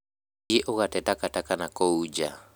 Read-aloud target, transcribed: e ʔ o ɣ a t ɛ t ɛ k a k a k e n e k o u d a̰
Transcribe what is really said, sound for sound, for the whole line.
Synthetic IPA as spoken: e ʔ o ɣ a t ɛ t a k a t a k a n a k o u d͡ʒ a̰